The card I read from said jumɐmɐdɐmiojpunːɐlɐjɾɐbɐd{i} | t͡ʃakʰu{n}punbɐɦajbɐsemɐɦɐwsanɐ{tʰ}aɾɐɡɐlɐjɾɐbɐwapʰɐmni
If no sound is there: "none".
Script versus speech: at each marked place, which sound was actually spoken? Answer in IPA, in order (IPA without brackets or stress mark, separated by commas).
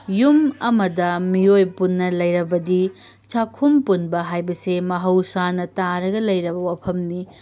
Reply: i, m, t